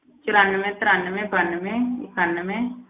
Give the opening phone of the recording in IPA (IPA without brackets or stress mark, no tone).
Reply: t͡ʃ